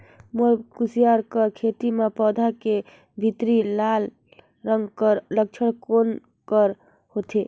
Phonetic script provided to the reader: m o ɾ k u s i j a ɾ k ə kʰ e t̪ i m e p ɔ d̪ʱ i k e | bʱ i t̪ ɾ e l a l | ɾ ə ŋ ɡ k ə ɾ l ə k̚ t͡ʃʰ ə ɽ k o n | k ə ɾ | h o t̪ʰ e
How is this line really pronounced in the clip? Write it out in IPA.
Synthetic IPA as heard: m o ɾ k u s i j a ɾ k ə kʰ e t̪ i m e p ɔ d̪ʱ a k e | bʱ i t̪ ɾ i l a l | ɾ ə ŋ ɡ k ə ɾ l ə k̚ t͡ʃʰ ə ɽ k o n | k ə ɾ | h o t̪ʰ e